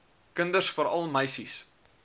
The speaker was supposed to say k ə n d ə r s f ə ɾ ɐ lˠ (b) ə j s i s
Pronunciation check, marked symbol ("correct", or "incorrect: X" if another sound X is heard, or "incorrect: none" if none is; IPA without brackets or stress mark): incorrect: m